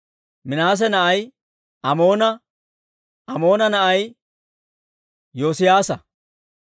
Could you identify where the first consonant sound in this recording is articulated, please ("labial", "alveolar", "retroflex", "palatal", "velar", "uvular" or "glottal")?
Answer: labial